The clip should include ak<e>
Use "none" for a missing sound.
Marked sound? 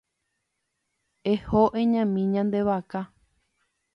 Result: a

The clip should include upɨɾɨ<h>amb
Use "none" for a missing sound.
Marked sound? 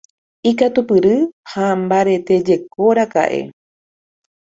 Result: h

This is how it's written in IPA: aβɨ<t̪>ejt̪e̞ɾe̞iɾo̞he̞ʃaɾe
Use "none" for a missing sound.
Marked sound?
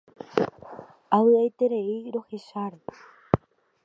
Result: none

